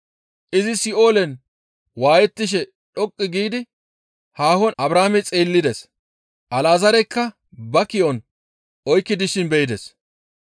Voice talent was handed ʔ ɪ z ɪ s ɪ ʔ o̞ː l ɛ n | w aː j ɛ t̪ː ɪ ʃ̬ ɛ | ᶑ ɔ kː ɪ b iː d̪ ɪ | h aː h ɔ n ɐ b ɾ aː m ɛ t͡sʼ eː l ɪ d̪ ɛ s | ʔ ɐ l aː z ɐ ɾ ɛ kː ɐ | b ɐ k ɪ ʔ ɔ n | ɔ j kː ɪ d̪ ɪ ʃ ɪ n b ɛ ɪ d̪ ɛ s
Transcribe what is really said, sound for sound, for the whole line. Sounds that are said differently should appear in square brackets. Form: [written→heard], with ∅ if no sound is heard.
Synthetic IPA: ʔ ɪ z ɪ s ɪ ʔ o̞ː l ɛ n | w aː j ɛ t̪ː ɪ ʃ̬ ɛ | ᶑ ɔ [kː→kʼː] ɪ [b→ɡ] iː d̪ ɪ | h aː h ɔ n ɐ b ɾ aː m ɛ t͡sʼ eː [l→lː] ɪ d̪ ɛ s | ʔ ɐ l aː z ɐ ɾ ɛ kː ɐ | b ɐ k ɪ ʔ ɔ n | ɔ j kː ɪ d̪ ɪ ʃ ɪ n b ɛ ɪ d̪ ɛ s